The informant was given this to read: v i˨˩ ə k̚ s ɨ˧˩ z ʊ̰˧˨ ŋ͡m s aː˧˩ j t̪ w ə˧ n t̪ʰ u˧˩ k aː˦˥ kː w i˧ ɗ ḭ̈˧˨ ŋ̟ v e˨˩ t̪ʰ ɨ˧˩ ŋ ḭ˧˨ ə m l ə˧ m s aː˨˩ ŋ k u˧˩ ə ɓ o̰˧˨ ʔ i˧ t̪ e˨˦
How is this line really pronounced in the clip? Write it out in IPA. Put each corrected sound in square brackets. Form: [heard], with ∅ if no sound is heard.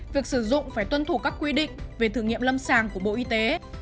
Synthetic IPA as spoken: v i˨˩ ə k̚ s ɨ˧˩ z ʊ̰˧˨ ŋ͡m [f] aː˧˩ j t̪ w ə˧ n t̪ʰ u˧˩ k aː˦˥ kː w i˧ ɗ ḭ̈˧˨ ŋ̟ v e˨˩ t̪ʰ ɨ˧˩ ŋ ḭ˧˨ ə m l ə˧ m s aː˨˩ ŋ k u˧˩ ə ɓ o̰˧˨ ʔ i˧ t̪ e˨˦